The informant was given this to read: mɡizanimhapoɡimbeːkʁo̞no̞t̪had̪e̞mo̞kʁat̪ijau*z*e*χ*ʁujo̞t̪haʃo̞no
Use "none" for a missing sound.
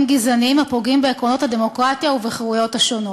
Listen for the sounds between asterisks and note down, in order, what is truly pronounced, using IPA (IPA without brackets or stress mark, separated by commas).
v, χ